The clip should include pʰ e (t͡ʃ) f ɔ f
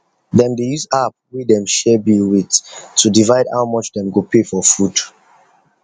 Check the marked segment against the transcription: incorrect: none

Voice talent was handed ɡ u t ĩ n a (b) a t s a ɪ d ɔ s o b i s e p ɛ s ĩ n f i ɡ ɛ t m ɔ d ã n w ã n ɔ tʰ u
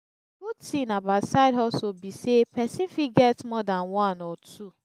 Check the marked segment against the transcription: correct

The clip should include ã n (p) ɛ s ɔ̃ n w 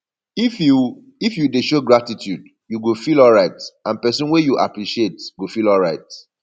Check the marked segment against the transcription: correct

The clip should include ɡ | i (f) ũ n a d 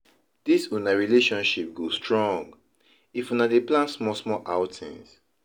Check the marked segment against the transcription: correct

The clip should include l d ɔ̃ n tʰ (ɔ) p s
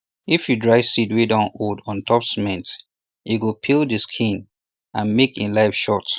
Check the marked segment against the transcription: correct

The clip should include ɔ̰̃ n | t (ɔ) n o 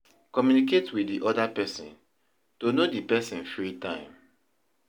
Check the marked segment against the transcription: incorrect: o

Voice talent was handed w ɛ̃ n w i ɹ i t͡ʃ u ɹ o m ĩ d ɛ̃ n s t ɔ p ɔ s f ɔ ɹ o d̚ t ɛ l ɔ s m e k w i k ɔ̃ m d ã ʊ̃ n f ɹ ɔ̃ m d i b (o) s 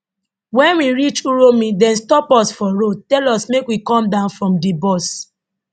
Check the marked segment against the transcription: incorrect: ɔ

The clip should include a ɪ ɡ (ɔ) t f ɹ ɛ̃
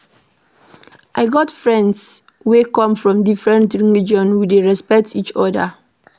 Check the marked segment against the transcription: correct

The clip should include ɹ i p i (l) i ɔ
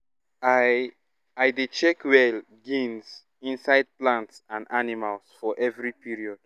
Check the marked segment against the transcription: incorrect: ɹ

